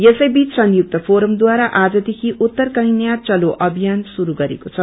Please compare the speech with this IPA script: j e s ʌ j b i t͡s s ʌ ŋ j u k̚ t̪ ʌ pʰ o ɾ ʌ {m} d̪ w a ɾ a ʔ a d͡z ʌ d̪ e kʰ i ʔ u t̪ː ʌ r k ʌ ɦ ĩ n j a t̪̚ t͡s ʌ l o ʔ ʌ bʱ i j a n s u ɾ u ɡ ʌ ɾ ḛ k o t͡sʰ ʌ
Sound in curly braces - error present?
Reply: no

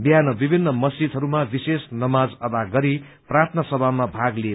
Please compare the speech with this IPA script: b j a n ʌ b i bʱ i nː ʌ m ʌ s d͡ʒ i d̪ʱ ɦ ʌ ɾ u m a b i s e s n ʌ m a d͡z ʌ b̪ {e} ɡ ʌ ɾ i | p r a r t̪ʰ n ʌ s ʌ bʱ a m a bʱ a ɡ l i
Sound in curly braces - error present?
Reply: yes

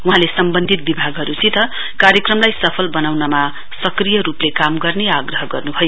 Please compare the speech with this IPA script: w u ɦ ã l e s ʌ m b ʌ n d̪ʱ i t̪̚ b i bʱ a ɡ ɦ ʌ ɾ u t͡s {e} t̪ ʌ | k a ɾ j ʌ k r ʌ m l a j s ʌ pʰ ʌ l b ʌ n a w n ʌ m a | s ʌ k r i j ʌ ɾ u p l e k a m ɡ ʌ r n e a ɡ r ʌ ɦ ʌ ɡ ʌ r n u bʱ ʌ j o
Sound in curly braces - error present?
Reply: yes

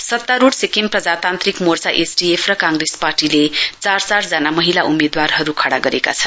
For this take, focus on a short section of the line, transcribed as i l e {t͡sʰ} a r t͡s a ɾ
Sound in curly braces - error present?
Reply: yes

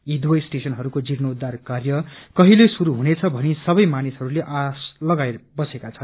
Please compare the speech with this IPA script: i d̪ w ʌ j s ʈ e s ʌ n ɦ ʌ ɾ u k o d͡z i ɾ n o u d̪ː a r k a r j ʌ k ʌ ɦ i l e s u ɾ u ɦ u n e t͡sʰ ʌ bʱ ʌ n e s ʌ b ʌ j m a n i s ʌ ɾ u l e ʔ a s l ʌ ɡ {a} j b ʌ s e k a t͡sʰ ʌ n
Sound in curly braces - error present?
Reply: no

